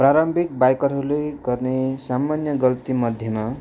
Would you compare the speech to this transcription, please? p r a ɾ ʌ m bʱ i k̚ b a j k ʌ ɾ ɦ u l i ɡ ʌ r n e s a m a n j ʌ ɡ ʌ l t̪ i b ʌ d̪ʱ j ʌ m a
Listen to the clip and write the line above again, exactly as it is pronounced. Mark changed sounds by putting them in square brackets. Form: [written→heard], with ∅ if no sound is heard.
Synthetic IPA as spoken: p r a ɾ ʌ m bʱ i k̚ b a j k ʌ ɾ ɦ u l [i→e] ɡ ʌ r n e s a m a n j ʌ ɡ ʌ l t̪ i [b→m] ʌ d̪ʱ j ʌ m a